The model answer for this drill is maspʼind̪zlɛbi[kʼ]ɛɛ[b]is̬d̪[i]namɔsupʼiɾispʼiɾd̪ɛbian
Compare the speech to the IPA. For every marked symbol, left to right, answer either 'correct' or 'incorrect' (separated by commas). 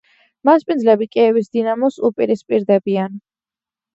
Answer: correct, incorrect, correct